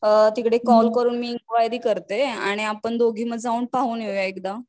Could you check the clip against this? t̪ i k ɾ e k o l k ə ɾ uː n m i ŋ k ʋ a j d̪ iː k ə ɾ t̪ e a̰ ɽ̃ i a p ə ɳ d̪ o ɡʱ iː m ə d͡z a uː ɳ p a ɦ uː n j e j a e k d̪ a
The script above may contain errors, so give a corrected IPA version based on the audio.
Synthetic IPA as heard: t̪ i k ɽ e k ɔ l k ə ɾ uː n m i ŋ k ʋ a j d̪ iː k ə ɾ t̪ e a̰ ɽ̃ i a p ə ɳ d̪ o ɡʱ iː m ə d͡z a uː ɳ p a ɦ uː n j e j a e k d̪ a